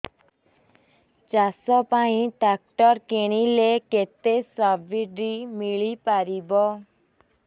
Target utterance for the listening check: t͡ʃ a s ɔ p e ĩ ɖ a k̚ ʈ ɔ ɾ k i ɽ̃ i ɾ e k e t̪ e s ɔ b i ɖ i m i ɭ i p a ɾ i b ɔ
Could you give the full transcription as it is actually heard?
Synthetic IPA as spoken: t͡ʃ a s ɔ p a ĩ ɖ a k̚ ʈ ɔ ɾ k e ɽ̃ i l e k e t̪ e s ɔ b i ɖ i m i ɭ i p a ɾ i b ɔ

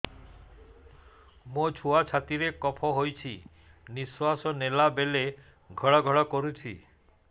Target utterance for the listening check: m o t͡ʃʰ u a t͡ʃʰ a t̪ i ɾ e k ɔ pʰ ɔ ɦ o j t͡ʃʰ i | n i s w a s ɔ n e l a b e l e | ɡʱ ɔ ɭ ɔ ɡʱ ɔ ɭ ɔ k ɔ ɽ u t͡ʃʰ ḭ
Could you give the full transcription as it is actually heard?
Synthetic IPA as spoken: m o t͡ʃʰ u a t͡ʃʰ a t̪ i ɾ e k ɔ pʰ ɔ ɦ o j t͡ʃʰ i | n i s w a s ɔ n e l a b e l e | ɡʱ ɔ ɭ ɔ ɡʱ ɔ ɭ ɔ k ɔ ɾ u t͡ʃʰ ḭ

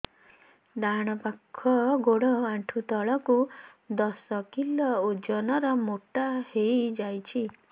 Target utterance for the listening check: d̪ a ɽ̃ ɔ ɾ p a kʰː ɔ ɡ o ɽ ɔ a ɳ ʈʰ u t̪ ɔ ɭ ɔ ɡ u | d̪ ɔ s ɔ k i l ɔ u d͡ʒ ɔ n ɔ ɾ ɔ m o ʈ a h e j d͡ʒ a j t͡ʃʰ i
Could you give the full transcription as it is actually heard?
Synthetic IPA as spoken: d̪ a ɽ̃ ɔ p a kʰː ɔ ɡ o ɽ ɔ a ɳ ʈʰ u t̪ ɔ ɭ ɔ k u | d̪ ɔ s ɔ k i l ɔ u d͡ʒ ɔ n ɔ ɾ ɔ m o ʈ a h e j d͡ʒ a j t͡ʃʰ i

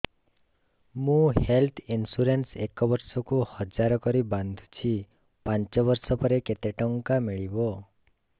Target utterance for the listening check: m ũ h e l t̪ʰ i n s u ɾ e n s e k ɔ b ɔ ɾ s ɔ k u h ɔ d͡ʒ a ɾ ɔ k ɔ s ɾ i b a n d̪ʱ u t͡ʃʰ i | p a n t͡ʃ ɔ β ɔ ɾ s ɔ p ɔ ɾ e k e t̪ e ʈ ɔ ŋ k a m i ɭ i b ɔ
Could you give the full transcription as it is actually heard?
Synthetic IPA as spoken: m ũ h e l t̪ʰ i n s u ɾ e n s e k ɔ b ɔ ɾ s ɔ k u h ɔ d͡ʒ a ɾ ɔ k ɔ ɾ i b a n d̪ʱ u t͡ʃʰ i | p a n t͡ʃ ɔ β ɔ ɾ s ɔ p ɔ ɾ e k e t̪ e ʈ ɔ ŋ k a m i ɭ i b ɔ

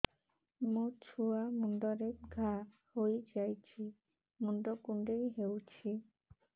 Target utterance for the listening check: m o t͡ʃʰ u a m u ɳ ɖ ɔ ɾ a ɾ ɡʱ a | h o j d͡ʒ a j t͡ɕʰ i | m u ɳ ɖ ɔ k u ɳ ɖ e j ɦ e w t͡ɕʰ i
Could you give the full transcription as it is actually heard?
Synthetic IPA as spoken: m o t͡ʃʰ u a m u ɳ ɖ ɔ ɾ e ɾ ɡʱ a | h o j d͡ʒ a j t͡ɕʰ i | m u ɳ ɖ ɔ k u ɳ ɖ e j ɦ e w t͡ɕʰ i

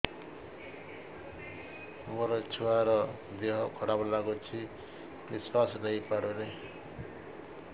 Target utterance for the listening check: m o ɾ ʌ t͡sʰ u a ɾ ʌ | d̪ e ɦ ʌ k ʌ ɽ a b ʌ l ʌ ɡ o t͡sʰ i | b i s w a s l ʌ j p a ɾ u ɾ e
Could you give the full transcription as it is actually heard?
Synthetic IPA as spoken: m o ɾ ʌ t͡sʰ u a ɾ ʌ | d̪ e ɦ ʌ kʰ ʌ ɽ a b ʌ l a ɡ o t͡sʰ i | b i s w a s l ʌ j p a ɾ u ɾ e

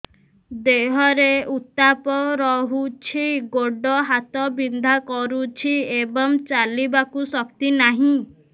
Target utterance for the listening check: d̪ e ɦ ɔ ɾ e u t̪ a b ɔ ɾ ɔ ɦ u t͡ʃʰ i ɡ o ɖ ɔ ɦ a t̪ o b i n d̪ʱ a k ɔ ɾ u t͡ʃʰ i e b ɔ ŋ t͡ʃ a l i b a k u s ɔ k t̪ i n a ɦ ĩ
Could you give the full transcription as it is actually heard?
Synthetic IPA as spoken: d̪ e ɦ ɔ ɾ e u t̪ a p ɔ ɾ ɔ ɦ u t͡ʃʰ i ɡ o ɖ ɔ ɦ a t̪ ɔ b i n d̪ʱ a k ɔ ɾ u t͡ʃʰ i e b ɔ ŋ t͡ʃ a l i b a k u s ɔ k t̪ i n a ɦ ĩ

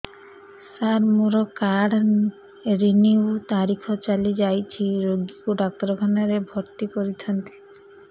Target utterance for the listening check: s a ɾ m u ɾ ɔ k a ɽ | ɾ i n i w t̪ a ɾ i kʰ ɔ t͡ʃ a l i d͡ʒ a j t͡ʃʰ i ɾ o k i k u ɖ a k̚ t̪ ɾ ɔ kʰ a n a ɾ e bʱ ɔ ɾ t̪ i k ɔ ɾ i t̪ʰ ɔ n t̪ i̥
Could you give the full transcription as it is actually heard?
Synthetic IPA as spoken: s a ɾ m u ɾ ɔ k a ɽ | ɾ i n i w t̪ a ɾ i kʰ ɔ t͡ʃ a l i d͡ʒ a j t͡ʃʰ i ɾ o ɡ i k u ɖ a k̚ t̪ ɾ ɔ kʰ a n a ɾ e bʱ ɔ ɾ t̪ i k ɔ ɾ i t̪ʰ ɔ n t̪ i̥

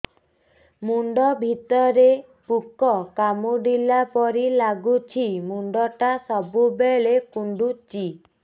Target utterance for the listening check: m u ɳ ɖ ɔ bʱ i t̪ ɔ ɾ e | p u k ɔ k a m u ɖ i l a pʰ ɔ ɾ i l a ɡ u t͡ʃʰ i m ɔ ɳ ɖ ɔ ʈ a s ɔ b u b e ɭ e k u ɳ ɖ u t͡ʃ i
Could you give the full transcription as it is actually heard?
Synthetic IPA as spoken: m u ɳ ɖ ɔ bʱ i t̪ ɔ ɾ e | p u k ɔ k a m u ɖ i l a p ɔ ɾ i l a ɡ u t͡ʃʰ i m u ɳ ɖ ɔ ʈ a s ɔ b u b e ɭ e k u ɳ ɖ u t͡ʃ i

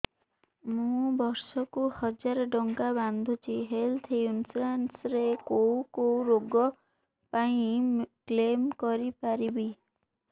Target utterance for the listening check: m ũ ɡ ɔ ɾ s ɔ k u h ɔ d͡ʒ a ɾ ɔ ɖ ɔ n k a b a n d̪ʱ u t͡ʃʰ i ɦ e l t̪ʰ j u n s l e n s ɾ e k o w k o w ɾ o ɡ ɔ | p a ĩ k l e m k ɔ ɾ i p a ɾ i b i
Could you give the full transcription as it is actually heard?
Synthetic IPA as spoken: m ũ b ɔ ɾ s ɔ k u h ɔ d͡ʒ a ɾ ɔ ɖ ɔ ŋ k a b a n d̪ʱ u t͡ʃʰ i ɦ e l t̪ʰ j u n s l a n s ɾ e k o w k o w ɾ o ɡ ɔ | p a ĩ k l e m k ɔ ɾ i p a ɾ i b i

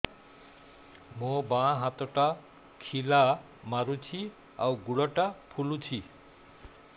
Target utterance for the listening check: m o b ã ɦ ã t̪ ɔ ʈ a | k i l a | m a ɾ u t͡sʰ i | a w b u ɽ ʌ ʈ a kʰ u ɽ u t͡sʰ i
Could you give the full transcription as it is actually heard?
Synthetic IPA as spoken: m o b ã ɦ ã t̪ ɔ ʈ a | kʰ i l a | m a ɾ u t͡sʰ i | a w ɡ u ɽ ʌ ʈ a pʰ u l u t͡sʰ i

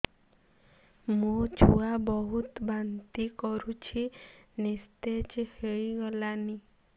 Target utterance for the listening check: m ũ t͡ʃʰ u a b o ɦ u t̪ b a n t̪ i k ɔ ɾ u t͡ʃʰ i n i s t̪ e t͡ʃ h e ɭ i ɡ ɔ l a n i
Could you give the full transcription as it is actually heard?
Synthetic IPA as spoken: m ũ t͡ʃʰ u a b ɔ ɦ u t̪ b a n t̪ i k ɔ ɾ u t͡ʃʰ i n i s t̪ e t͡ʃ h e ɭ i ɡ ɔ l a n i

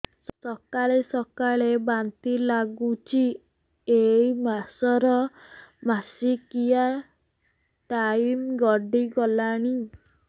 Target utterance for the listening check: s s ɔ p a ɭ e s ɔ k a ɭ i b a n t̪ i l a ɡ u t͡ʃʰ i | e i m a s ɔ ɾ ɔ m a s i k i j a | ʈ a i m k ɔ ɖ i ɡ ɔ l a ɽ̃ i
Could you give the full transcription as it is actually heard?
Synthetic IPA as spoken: s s ɔ k a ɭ e s ɔ k a ɭ e b a n t̪ i l a ɡ u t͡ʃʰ i | e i m a s ɔ ɾ ɔ m a s i k i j a | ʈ a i m ɡ ɔ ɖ i ɡ ɔ l a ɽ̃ i

